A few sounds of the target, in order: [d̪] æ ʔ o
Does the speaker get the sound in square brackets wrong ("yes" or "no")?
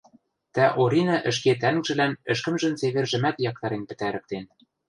yes